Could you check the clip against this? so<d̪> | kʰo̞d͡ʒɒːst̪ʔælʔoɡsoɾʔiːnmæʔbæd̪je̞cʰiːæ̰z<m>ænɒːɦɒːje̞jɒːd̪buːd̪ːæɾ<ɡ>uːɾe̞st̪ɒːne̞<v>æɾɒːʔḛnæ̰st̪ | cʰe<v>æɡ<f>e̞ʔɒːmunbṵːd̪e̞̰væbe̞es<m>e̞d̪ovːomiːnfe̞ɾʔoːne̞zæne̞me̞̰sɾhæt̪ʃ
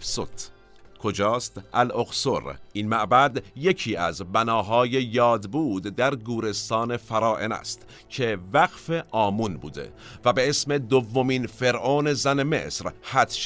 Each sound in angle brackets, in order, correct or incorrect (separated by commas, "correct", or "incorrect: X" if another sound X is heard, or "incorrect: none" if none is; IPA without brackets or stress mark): incorrect: t̪, incorrect: b, correct, incorrect: f, correct, correct, correct